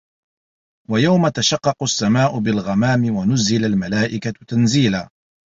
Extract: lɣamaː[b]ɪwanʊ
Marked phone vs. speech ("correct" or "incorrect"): incorrect